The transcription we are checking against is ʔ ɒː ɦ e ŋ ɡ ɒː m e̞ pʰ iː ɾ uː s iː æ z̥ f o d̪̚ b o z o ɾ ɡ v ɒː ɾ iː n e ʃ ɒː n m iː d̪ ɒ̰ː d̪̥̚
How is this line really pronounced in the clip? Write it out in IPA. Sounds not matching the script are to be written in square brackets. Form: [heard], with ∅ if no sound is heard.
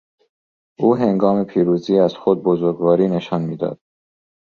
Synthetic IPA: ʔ [uː] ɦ e ŋ ɡ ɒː m e̞ pʰ iː ɾ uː [z] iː æ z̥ [x] o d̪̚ b o z o ɾ ɡ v ɒː ɾ iː n e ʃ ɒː n m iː d̪ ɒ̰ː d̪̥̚